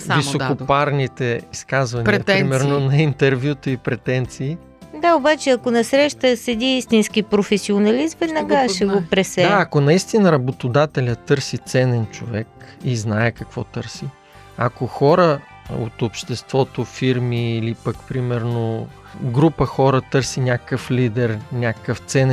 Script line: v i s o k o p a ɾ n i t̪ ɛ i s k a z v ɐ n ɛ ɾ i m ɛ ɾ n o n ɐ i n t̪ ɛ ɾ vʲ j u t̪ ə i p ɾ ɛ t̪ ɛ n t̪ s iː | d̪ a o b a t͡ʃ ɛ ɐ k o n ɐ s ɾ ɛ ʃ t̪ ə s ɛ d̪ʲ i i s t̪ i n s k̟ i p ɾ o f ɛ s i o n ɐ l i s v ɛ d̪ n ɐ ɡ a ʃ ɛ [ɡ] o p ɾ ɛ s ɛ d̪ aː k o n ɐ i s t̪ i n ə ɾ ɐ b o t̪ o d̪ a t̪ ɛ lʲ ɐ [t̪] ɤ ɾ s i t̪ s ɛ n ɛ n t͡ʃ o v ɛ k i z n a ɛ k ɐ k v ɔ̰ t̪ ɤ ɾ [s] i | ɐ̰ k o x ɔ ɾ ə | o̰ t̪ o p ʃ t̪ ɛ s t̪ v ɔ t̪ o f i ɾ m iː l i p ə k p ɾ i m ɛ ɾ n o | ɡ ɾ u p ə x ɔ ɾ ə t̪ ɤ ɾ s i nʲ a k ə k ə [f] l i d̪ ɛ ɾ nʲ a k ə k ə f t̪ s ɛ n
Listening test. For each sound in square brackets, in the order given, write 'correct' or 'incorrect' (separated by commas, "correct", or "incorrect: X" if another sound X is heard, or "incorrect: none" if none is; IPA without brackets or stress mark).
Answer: correct, correct, correct, correct